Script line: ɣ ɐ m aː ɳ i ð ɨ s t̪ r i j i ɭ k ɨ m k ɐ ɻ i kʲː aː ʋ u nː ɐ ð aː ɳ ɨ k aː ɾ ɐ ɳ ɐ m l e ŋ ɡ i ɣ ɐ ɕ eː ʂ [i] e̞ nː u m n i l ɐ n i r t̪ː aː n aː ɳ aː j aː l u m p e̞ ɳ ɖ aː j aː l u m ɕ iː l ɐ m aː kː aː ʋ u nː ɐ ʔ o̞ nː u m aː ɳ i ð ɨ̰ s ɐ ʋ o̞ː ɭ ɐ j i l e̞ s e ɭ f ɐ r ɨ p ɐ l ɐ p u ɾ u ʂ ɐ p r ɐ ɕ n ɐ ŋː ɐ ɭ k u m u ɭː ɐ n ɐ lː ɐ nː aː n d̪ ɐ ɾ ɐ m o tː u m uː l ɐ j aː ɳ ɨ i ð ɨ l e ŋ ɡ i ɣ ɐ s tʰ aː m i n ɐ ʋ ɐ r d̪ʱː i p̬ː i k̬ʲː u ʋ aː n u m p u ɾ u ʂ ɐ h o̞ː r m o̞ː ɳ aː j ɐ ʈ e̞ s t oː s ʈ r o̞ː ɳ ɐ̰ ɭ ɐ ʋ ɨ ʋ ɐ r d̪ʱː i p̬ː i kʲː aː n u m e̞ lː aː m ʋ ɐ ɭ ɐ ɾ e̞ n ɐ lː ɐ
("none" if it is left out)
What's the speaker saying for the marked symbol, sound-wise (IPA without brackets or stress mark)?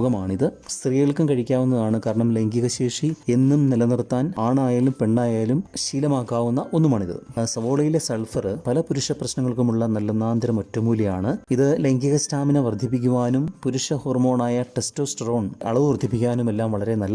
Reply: i